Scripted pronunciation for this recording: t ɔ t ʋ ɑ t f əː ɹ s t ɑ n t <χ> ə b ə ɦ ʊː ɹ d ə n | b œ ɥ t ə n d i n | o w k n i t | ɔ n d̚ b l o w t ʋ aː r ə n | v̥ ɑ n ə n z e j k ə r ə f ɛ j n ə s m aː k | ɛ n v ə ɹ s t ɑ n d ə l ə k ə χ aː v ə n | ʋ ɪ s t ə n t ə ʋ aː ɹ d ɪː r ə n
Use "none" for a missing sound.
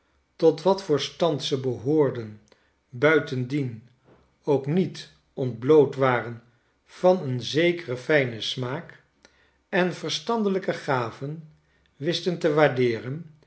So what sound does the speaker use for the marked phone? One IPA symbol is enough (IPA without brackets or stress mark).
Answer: s